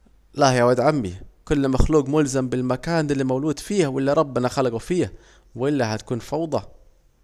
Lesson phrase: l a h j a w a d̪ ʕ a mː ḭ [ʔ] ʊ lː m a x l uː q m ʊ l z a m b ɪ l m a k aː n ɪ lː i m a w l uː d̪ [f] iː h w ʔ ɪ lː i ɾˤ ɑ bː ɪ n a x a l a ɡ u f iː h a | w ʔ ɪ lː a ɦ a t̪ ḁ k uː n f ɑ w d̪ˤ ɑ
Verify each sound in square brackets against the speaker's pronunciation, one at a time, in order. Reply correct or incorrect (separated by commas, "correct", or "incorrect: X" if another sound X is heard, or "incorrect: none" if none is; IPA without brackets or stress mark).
incorrect: k, correct